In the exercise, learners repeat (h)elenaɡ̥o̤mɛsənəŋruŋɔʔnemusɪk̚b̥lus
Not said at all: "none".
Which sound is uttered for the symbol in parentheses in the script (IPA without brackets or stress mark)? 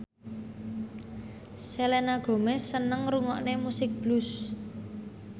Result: s